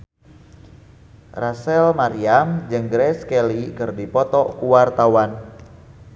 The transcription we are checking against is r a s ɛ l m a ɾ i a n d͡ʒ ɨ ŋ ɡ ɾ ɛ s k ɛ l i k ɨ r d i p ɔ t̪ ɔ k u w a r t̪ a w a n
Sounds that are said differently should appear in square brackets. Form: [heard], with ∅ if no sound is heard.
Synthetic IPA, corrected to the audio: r a s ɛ l m a ɾ i a [m] d͡ʒ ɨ ŋ ɡ ɾ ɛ s k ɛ l i k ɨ r d i p ɔ t̪ ɔ k u w a r t̪ a w a n